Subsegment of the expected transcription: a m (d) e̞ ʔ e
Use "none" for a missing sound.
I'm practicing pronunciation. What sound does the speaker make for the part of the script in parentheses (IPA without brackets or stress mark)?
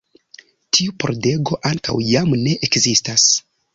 n